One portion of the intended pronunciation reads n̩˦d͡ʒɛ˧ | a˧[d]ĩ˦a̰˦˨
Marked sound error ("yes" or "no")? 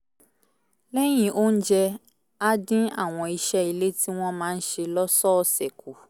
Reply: no